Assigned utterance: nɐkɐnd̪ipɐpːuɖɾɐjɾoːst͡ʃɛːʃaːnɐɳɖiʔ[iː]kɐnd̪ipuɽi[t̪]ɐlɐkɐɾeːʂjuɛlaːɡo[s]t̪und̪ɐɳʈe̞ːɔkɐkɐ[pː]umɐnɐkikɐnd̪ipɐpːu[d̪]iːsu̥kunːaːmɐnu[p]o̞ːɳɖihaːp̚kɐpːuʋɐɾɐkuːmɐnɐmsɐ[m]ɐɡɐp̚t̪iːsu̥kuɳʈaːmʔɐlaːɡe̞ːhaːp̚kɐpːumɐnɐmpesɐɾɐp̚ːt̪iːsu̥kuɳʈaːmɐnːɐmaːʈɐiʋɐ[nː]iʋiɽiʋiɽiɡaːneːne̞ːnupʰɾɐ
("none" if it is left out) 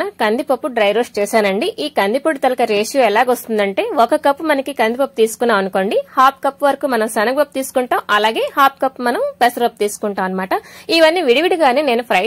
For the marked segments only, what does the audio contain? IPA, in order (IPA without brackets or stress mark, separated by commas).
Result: iː, t̪, s, pː, t̪, k, n, nː